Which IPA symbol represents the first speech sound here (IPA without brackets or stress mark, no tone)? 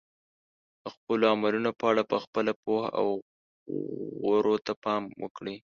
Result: ə